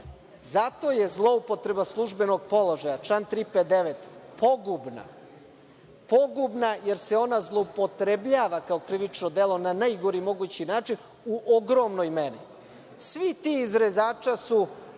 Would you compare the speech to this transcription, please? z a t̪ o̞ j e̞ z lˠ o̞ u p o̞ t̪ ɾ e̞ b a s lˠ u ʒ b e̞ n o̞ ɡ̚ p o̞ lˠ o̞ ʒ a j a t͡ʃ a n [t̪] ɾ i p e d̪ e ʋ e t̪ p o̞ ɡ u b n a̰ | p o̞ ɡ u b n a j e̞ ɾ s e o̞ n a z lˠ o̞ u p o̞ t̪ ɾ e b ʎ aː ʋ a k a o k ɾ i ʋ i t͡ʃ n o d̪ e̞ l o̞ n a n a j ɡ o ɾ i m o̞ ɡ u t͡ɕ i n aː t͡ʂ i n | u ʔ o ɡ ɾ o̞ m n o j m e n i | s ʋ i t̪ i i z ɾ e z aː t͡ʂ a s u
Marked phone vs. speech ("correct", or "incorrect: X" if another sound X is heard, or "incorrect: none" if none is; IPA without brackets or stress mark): correct